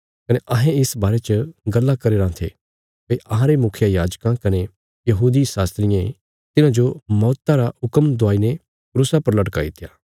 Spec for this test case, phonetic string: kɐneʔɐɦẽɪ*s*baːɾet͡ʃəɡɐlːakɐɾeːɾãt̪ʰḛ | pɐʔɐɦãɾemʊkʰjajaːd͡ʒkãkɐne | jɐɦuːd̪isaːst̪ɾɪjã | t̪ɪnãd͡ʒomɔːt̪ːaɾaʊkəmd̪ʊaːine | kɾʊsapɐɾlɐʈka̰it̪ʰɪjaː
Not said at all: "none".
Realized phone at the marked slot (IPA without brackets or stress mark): s